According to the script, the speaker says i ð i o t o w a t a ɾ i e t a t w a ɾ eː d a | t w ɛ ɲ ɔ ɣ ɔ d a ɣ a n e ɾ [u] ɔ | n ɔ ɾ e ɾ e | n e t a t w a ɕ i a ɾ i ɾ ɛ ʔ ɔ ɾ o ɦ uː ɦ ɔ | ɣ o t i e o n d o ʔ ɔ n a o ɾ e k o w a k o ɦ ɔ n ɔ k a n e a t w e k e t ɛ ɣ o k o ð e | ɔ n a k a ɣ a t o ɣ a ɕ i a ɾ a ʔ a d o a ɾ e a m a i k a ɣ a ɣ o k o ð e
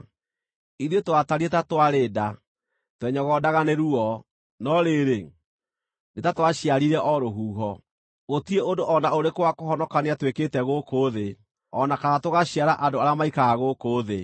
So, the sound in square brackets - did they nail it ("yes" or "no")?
yes